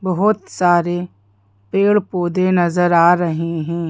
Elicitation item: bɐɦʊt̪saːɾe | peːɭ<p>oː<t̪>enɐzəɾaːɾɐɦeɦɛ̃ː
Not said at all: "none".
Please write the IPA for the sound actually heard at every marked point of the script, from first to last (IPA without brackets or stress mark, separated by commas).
p, d̪